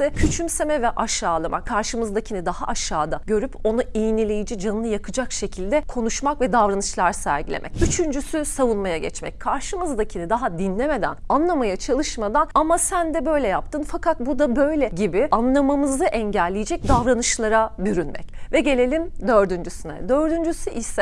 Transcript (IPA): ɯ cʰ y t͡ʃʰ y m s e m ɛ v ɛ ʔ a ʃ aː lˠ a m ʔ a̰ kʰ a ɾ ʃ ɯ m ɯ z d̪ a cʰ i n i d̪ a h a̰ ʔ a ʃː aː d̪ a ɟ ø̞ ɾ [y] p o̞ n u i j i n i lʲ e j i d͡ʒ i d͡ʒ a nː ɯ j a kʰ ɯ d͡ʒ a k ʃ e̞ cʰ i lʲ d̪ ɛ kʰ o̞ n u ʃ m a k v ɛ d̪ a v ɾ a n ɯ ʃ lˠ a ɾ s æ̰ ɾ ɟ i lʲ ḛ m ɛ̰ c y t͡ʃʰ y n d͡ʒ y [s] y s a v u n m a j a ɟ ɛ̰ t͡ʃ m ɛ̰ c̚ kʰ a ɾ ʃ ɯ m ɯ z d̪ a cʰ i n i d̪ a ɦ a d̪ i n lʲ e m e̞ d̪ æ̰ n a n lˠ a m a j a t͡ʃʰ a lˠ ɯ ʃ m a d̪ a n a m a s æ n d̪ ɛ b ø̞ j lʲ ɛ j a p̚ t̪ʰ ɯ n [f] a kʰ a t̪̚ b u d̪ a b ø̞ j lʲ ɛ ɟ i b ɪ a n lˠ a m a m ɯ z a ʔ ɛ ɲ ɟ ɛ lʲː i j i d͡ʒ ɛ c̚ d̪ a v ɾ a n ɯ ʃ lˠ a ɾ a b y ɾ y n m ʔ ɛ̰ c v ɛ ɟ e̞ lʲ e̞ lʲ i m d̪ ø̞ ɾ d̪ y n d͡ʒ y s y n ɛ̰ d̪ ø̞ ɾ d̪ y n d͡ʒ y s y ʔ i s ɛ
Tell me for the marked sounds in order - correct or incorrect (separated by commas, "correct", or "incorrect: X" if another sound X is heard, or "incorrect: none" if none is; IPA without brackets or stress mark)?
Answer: correct, correct, correct